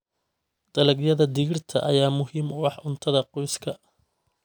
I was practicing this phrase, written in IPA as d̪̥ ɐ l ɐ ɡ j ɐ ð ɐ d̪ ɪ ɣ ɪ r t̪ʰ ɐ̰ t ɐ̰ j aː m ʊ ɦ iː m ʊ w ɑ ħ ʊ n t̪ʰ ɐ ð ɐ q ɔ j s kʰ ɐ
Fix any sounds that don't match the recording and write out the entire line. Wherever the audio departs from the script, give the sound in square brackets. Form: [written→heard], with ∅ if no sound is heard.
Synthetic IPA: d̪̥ ɐ l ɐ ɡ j ɐ ð ɐ d̪ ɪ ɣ ɪ r t̪ʰ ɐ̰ [t→ʔ] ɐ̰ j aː m ʊ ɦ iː m ʊ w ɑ ħ ʊ n t̪ʰ ɐ ð ɐ q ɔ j s kʰ ɐ